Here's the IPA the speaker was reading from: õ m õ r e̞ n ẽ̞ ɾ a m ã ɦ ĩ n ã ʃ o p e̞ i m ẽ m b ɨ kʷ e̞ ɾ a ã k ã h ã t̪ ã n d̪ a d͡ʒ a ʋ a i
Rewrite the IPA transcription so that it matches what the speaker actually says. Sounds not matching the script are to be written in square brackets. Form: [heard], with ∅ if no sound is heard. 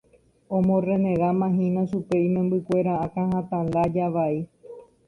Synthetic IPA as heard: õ m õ r e̞ n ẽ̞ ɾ a m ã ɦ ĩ n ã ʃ [u] p e̞ i m ẽ m b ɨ kʷ e̞ ɾ a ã k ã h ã t̪ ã n d̪ a d͡ʒ a ʋ a i